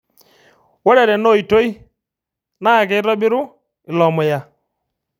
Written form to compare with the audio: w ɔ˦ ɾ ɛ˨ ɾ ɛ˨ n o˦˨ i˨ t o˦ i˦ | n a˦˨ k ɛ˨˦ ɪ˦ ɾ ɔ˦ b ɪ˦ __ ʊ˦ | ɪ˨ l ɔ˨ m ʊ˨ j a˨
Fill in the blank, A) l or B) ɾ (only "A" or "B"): B